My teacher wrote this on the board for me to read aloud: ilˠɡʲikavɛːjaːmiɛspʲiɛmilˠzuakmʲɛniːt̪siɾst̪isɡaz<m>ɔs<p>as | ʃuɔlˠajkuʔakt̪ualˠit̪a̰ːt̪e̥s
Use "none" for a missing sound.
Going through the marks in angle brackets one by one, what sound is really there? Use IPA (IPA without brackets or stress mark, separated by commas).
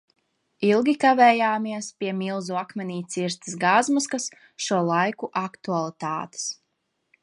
m, k